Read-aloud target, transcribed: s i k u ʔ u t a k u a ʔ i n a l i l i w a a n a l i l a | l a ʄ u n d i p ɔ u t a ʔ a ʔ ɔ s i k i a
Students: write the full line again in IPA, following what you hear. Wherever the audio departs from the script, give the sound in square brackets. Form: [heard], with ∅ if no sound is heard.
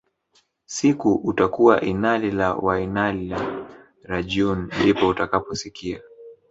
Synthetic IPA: s i k u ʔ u t a k u a ʔ i n a l i l [a] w a [i] n a l i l a | [ɾ] a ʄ u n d i p ɔ u t a [k] a [p] ɔ s i k i a